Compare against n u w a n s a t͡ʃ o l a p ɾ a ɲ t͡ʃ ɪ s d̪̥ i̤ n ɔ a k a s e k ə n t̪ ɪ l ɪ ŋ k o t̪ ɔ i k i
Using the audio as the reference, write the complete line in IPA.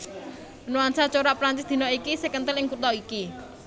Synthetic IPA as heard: n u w a n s a t͡ʃ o ɾ a p ɾ a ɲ t͡ʃ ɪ s d̪̥ i̤ n ɔ i k i s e k ə n t̪ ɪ l ɪ ŋ k u t̪ ɔ i k i